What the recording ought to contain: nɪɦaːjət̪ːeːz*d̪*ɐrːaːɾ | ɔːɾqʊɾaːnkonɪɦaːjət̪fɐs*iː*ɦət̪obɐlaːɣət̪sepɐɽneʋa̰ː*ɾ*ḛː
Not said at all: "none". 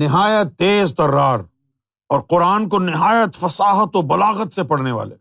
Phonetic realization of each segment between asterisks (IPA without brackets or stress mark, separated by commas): t̪, aː, l